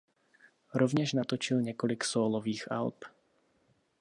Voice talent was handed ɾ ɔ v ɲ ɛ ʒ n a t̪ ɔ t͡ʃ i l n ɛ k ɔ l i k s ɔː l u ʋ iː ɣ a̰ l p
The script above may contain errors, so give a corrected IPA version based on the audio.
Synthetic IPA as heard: ɾ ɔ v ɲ ɛ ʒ n a t̪ ɔ t͡ʃ i l ɲ ɛ k ɔ l i k s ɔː l ɔ ʋ iː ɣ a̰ l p